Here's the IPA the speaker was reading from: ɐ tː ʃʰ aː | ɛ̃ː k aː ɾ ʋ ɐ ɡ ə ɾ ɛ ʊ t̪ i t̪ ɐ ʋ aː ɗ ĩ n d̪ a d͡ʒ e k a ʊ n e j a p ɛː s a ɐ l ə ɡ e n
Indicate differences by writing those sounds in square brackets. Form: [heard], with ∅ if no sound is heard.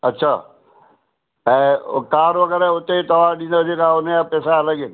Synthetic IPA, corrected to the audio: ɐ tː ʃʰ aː | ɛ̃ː k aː ɾ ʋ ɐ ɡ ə ɾ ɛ ʊ t̪ [e] t̪ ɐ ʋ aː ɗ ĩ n d̪ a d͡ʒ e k a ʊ n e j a p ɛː s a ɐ l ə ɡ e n